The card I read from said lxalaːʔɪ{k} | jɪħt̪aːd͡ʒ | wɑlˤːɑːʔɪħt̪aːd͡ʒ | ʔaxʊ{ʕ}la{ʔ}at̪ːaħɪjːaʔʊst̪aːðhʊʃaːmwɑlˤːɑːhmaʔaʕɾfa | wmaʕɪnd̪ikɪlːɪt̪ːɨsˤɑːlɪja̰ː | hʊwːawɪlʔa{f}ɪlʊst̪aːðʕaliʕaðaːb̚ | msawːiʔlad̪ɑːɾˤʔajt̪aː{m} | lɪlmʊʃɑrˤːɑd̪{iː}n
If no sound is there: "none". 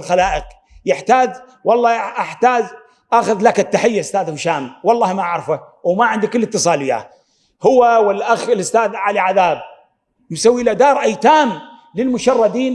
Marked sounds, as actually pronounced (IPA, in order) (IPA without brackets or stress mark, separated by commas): q, ð, k, x, m, iː